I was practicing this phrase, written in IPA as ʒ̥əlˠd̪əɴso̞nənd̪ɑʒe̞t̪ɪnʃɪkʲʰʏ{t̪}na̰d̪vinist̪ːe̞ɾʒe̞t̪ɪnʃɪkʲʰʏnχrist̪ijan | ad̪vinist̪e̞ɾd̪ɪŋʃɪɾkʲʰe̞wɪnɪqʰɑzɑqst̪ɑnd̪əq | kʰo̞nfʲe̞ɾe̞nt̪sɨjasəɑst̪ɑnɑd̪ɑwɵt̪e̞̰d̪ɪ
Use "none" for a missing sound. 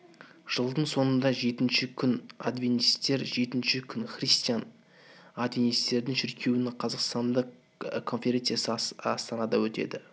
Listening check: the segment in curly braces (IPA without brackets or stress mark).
none